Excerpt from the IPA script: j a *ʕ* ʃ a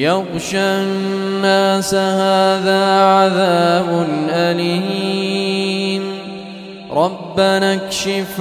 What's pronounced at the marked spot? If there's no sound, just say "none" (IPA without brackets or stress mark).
ɣ